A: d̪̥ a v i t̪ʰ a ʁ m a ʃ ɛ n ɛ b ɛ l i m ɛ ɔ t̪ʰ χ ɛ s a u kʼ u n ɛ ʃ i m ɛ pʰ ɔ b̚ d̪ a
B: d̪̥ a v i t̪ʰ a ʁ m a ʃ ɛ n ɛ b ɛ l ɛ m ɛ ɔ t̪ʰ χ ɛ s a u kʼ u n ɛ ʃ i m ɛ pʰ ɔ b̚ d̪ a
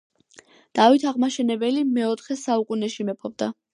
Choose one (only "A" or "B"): A